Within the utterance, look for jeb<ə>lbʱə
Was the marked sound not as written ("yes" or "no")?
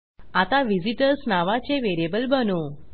no